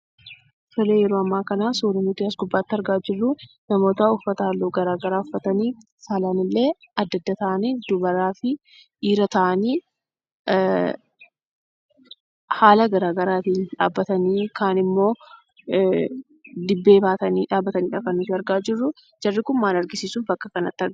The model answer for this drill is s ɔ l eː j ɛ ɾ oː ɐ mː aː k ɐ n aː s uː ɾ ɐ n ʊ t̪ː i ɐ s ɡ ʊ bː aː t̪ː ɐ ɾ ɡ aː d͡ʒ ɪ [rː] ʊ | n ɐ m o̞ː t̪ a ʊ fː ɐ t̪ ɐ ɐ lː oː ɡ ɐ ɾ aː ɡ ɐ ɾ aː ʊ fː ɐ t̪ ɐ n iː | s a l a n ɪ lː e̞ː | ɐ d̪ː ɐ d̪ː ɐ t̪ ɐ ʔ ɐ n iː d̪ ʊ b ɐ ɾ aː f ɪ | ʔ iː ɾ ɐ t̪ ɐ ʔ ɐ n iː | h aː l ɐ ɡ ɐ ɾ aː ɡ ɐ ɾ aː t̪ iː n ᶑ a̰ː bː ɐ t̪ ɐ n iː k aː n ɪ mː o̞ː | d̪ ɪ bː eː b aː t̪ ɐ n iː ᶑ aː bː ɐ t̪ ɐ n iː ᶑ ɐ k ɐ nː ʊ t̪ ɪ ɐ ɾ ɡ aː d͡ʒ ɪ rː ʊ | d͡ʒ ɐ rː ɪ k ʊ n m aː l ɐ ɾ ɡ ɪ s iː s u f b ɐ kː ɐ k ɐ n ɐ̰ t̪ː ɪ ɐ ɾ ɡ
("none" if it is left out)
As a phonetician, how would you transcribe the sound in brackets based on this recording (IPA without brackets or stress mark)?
rː